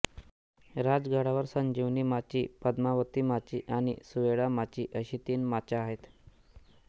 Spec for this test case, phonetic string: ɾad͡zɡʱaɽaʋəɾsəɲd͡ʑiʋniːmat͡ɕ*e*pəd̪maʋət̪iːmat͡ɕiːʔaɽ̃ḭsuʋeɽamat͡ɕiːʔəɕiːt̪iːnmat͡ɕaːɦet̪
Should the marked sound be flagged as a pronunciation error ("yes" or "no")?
yes